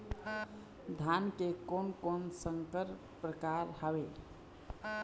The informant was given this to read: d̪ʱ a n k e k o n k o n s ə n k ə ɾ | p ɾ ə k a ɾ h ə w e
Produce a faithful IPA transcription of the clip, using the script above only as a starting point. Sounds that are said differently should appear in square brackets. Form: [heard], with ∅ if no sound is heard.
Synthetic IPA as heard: d̪ʱ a n k e k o n k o n s ə [ŋ] k ə ɾ | p ɾ ə k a ɾ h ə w e